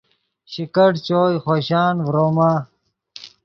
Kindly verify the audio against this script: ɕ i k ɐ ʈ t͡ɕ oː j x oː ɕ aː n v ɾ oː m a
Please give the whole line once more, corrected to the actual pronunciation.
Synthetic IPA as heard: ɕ i k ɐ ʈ t͡ɕ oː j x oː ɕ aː n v ɾ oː m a